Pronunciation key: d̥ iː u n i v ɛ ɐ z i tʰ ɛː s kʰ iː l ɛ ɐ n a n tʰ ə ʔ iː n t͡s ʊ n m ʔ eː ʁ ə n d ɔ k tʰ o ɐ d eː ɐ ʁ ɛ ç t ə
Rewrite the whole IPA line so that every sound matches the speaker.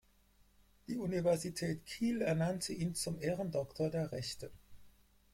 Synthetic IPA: d̥ iː u n i v ɛ ɐ z i tʰ ɛː t kʰ iː l ɛ ɐ n a n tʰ ə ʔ iː n t͡s ʊ m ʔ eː ʁ ə n d ɔ k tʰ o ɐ d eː ɐ ʁ ɛ ç t ə